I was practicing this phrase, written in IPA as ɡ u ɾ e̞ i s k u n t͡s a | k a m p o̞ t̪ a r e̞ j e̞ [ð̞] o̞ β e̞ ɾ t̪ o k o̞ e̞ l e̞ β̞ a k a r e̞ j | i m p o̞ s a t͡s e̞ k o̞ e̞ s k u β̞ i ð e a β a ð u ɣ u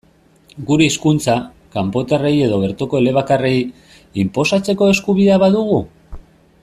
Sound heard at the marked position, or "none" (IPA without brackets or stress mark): ð̞